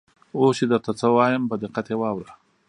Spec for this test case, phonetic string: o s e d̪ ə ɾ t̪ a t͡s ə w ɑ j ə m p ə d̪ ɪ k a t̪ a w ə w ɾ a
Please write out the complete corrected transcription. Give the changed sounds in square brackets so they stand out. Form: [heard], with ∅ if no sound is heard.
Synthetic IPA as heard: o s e d̪ ə ɾ t̪ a t͡s ə w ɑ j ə m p ə d̪ ɪ [q] a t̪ [e] w [ɑ] w ɾ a